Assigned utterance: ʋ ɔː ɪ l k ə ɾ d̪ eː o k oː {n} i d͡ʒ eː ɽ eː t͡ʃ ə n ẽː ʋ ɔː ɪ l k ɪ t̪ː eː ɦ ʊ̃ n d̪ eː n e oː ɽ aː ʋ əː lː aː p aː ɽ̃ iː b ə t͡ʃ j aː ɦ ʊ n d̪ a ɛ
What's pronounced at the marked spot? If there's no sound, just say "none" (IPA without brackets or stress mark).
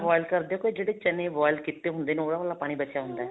none